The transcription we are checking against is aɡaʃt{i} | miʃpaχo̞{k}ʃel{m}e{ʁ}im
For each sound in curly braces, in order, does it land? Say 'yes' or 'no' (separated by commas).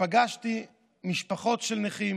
yes, no, no, no